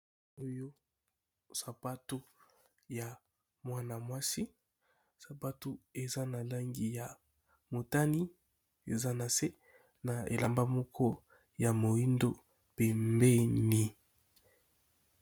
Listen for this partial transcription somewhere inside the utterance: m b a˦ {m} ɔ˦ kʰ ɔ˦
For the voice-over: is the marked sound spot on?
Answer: yes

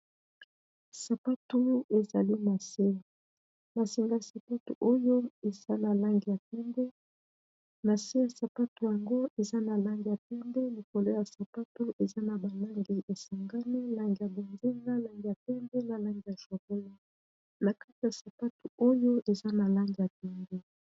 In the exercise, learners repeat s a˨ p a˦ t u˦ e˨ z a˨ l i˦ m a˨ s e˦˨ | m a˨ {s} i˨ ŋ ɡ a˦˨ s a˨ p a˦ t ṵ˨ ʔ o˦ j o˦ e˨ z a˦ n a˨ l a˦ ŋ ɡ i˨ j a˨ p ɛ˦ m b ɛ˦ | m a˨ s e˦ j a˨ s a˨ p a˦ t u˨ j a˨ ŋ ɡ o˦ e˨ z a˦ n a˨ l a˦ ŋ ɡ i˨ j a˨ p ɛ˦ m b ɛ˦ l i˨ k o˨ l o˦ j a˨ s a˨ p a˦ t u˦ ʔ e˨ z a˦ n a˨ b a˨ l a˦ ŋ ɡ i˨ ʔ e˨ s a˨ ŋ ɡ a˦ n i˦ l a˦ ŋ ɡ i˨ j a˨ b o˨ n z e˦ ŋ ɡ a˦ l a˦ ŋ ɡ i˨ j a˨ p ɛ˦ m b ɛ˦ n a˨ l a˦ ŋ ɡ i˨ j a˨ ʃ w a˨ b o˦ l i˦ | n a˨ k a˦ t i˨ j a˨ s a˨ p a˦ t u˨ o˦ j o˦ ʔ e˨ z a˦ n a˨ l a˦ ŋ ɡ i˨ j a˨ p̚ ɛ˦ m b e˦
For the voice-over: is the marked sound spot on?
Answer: yes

